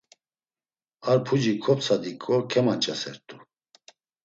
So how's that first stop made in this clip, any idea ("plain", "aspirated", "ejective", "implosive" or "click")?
aspirated